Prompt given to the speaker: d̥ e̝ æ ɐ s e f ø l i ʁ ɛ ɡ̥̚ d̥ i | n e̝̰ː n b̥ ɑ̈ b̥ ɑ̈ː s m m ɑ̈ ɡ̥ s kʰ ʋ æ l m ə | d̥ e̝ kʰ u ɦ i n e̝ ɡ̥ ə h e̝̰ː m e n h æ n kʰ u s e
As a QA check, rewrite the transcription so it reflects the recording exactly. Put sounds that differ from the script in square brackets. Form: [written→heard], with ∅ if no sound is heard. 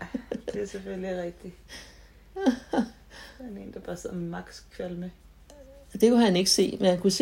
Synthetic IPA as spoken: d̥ e̝ æ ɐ s e f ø l i ʁ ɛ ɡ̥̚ d̥ i | n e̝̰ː n [b̥→d̥] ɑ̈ b̥ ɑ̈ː s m m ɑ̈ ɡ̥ s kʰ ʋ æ l m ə | d̥ e̝ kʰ u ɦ [i→æ] n e̝ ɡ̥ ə [h→s] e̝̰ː m e n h æ n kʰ u s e